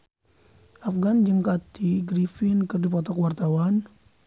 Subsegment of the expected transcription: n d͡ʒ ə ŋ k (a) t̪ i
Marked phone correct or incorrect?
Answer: correct